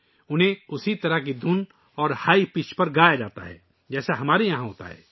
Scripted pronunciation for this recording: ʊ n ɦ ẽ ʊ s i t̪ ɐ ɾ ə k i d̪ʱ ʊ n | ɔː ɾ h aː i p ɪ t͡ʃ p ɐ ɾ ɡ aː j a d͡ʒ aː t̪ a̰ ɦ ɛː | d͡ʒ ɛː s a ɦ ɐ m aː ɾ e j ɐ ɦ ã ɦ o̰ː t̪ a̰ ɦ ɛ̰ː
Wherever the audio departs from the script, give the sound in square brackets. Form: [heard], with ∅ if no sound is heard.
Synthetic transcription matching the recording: ʊ n ɦ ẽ ʊ s i t̪ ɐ ɾ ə k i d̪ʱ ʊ n | ɔː ɾ h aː i p ɪ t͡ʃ p ɐ ɾ ɡ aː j a d͡ʒ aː t̪ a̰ ɦ ɛː | d͡ʒ ɛː s a ɦ ɐ m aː ɾ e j ɐ ɦ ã ɦ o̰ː t̪ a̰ ɦ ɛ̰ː